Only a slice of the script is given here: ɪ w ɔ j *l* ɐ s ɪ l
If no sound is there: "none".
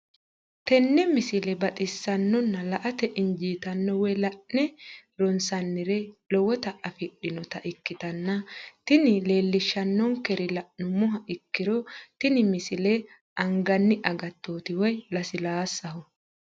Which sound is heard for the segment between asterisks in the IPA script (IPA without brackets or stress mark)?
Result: l